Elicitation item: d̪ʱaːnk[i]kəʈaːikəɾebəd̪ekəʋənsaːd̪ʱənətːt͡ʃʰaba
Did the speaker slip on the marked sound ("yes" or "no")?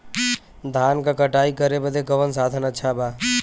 yes